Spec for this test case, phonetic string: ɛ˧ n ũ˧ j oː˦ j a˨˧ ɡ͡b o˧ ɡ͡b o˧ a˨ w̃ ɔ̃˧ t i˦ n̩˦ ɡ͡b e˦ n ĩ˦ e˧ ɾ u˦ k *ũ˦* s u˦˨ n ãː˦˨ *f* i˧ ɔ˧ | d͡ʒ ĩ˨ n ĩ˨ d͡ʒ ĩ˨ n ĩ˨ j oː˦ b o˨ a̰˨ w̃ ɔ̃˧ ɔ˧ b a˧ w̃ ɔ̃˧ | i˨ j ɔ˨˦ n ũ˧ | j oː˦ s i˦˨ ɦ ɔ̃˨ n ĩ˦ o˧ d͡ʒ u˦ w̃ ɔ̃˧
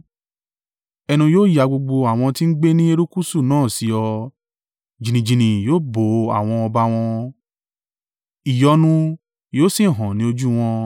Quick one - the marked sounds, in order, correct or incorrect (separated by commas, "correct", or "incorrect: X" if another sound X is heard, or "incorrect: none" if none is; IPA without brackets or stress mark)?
incorrect: u˦, incorrect: s